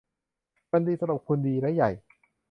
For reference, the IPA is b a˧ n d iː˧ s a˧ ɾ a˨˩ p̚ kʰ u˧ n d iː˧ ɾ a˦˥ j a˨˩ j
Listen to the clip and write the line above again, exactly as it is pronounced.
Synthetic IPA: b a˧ n d iː˧ s a˧ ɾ a˨˩ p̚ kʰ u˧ n d iː˧ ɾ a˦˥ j a˨˩ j